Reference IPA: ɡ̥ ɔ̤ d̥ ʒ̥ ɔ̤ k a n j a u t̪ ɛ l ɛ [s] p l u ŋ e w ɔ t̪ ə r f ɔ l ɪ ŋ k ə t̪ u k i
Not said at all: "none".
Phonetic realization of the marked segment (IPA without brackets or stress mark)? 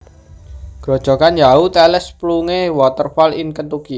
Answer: s